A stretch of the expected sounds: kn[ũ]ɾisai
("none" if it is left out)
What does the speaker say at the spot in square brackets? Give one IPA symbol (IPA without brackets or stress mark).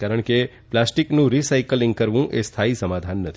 ũ